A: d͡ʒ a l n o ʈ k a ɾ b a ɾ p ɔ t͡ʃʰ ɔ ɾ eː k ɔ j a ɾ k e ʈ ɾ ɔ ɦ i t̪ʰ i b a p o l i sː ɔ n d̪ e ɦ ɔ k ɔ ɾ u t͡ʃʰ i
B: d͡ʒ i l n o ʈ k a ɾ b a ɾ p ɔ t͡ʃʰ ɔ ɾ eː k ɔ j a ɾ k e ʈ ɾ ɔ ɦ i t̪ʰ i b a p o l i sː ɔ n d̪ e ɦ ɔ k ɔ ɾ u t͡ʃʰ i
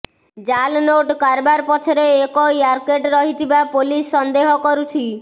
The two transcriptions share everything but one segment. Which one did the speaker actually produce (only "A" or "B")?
A